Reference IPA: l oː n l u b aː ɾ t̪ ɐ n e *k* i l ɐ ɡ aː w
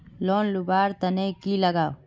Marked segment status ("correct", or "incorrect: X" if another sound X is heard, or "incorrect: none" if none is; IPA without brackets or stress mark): correct